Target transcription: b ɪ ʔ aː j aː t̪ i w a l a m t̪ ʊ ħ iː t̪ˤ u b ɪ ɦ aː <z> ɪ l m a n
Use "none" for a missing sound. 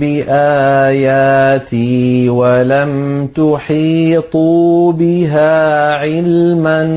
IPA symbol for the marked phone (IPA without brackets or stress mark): ʕ